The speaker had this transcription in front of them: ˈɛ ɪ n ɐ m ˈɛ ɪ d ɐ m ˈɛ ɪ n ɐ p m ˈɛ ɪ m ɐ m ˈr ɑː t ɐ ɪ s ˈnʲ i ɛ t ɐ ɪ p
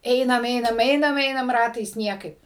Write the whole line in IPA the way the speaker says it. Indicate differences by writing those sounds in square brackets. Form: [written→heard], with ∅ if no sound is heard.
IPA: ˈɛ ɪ n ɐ m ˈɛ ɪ [d→n] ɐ m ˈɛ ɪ n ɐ [p→∅] m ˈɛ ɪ [m→n] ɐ m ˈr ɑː t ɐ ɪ s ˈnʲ i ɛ [t→k] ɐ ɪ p